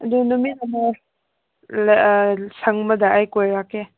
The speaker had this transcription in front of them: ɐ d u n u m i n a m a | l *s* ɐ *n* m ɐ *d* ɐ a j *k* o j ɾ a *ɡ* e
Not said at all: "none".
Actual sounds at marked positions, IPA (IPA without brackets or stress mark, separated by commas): s, ŋ, d, k, k